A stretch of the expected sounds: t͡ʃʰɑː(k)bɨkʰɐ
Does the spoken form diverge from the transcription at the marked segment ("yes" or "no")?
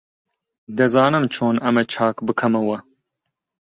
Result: no